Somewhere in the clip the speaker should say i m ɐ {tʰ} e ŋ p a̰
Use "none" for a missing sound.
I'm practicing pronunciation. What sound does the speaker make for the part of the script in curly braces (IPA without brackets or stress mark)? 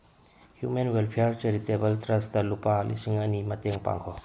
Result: t